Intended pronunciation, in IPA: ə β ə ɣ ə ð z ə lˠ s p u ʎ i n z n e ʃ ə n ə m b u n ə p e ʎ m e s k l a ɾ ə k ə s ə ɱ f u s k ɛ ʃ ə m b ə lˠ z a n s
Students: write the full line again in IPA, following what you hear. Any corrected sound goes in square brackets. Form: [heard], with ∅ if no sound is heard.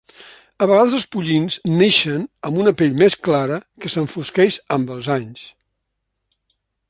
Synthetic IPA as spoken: ə β ə ɣ [a] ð z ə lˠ s p u ʎ i n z n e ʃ ə n ə m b u n ə p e ʎ m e s k l a ɾ ə k ə s ə ɱ f u s k ɛ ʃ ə m b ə lˠ z a [ɲ] s